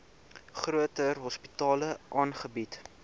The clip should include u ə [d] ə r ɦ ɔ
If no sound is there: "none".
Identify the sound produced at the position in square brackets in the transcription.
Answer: t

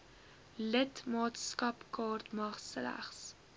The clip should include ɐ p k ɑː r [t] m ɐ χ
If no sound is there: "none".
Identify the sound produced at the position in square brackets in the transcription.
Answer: t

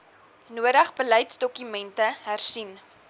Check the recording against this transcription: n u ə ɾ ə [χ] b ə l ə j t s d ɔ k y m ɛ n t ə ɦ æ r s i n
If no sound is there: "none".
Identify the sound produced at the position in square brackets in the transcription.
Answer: χ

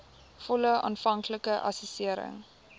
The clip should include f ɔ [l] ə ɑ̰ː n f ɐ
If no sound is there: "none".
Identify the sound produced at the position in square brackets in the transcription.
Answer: l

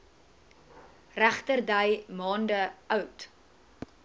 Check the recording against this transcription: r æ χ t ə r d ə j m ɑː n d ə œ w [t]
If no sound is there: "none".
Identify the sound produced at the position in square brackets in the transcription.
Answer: t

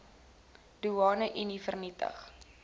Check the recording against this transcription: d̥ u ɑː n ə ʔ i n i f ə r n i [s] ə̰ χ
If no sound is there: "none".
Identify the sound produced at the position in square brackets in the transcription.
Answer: t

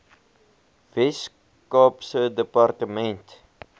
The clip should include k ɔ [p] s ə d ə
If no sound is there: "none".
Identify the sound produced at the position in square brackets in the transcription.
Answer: p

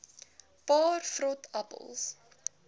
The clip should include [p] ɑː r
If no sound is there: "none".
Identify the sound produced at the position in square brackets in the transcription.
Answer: p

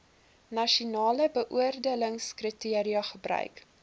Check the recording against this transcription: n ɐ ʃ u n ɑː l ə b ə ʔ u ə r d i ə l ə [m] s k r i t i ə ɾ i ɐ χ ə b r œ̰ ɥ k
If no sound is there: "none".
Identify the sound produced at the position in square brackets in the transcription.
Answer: ŋ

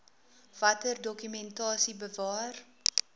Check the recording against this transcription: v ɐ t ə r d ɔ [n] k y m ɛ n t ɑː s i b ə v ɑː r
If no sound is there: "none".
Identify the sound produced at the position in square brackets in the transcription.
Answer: none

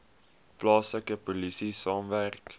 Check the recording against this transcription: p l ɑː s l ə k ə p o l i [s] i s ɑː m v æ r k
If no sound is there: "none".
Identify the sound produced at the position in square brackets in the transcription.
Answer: s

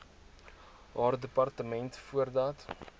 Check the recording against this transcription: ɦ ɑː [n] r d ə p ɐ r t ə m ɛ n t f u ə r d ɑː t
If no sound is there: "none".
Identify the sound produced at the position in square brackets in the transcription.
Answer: none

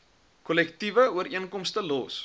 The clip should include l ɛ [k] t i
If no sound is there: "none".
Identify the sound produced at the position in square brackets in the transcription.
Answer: k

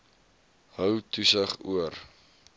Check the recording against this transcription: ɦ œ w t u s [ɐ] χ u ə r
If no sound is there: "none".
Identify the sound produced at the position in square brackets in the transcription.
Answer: ə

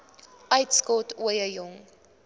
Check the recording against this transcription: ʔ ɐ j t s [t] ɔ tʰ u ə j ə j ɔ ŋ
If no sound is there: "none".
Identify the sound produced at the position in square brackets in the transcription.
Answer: k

